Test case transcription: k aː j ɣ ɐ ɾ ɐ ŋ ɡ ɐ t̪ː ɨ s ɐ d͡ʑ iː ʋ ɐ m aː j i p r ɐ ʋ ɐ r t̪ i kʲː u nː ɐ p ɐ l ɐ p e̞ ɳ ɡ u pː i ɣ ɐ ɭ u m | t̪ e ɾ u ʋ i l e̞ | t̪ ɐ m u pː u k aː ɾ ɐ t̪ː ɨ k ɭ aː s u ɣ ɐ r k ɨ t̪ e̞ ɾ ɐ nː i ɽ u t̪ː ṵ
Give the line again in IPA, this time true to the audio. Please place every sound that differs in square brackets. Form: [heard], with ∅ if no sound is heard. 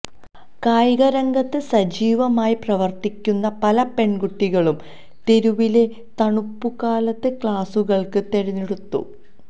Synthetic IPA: k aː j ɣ ɐ ɾ ɐ ŋ ɡ ɐ t̪ː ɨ s ɐ d͡ʑ iː ʋ ɐ m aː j i p r ɐ ʋ ɐ r t̪ i kʲː u nː ɐ p ɐ l ɐ p e̞ ɳ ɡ u [ʈː] i ɣ ɐ ɭ u m | t̪ e ɾ u ʋ i l e̞ | t̪ ɐ [ɳ] u pː u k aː [l] ɐ t̪ː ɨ k ɭ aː s u ɣ ɐ [ɭ] k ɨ t̪ e̞ ɾ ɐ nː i ɽ u t̪ː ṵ